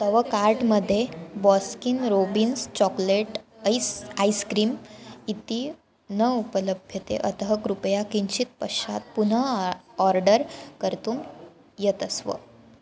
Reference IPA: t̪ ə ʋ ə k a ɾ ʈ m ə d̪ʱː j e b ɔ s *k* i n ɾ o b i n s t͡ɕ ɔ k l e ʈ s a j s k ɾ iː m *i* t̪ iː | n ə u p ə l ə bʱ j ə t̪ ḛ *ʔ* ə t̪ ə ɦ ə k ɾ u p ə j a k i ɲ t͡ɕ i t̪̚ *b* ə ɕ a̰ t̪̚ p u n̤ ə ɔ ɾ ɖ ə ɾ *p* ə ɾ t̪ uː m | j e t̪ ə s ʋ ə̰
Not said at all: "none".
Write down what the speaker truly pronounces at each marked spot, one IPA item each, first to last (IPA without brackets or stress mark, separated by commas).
k, i, ʔ, p, k